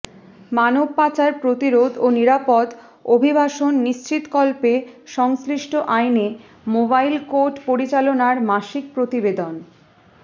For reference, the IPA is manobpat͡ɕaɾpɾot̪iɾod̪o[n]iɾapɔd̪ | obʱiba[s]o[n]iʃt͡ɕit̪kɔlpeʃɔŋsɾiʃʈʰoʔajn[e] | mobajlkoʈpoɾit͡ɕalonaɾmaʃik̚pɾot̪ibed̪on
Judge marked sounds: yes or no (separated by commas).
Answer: yes, no, no, yes